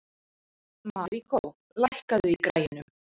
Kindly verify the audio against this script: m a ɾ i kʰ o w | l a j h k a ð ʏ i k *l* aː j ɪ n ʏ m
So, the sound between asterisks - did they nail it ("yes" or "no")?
no